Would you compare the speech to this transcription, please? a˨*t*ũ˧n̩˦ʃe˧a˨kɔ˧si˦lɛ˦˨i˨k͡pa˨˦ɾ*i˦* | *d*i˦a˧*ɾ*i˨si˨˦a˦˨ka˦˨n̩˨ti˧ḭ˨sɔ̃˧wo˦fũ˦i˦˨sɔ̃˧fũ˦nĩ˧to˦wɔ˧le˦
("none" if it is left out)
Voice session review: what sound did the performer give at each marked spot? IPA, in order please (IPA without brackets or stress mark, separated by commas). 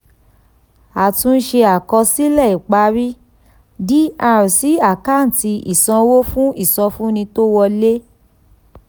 t, i˦, d, ɾ